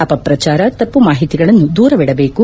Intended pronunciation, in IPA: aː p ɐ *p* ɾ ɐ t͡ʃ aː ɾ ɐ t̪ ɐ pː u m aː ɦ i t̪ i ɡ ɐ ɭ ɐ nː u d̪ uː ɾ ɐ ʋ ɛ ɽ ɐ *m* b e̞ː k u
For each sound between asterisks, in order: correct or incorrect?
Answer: correct, incorrect: none

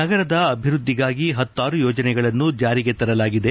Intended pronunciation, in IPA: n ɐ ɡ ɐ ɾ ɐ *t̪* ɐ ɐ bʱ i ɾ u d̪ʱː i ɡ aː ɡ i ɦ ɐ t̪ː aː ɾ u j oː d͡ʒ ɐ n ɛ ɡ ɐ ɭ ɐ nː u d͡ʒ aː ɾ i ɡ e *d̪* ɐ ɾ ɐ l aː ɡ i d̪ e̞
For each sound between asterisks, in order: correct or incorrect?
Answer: incorrect: d̪, incorrect: t̪

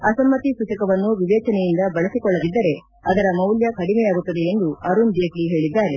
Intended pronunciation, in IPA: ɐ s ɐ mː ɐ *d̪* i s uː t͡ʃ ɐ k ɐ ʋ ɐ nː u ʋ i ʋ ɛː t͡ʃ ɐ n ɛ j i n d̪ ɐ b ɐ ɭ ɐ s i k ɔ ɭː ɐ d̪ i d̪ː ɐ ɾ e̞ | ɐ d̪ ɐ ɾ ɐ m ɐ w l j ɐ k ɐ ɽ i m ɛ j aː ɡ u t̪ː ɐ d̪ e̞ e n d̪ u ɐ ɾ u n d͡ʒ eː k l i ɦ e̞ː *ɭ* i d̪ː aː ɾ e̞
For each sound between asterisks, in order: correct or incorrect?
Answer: incorrect: t̪, correct

